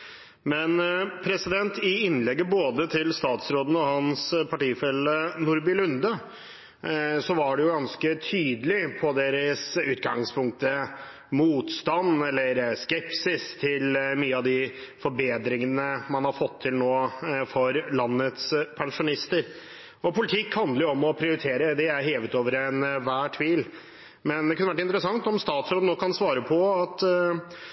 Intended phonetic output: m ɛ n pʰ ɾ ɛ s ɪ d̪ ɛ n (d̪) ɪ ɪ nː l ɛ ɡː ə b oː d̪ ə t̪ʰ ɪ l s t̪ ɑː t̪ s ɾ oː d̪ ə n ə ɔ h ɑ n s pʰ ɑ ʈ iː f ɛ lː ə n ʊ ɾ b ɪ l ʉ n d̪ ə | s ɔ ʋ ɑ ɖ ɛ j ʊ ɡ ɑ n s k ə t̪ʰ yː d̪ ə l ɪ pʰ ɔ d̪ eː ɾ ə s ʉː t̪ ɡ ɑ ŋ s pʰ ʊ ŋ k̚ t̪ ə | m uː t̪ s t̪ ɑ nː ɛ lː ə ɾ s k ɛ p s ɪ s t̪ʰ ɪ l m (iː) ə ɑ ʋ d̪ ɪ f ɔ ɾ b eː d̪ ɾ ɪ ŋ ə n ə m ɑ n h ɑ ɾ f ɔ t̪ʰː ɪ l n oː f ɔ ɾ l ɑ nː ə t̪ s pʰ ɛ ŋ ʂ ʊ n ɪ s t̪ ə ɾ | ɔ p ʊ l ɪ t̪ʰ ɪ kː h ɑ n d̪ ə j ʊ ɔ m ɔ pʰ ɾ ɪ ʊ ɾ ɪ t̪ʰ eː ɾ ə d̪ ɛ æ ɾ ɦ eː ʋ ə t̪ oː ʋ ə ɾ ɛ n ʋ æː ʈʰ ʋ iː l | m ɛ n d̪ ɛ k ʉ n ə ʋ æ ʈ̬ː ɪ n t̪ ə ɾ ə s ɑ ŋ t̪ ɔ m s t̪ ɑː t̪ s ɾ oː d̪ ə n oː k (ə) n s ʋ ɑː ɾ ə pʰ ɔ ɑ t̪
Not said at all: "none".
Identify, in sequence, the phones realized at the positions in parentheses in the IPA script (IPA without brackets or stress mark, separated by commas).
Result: t̪, yː, ɑ